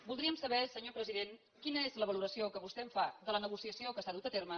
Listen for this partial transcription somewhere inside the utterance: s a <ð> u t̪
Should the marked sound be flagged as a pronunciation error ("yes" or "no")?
no